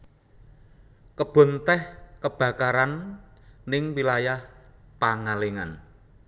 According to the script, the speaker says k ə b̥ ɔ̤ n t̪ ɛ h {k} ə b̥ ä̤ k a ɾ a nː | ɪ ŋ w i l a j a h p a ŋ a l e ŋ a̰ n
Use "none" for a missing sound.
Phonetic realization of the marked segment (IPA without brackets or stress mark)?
k